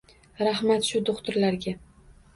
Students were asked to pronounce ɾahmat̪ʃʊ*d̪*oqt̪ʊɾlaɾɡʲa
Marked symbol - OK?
yes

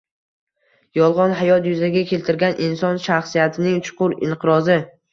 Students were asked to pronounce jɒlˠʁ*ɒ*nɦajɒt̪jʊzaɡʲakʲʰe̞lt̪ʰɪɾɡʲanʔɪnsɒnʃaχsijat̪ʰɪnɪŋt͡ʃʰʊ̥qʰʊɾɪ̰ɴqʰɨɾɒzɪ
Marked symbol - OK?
yes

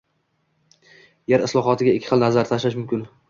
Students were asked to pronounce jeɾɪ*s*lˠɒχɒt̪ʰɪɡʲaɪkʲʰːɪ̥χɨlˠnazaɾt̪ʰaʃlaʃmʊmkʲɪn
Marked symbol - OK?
yes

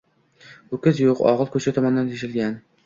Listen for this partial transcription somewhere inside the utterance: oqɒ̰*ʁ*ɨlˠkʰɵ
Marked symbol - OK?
yes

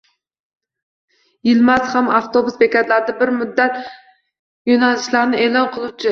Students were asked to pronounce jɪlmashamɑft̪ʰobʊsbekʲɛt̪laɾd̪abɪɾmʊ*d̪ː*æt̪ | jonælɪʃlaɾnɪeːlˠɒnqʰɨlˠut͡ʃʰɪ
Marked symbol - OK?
yes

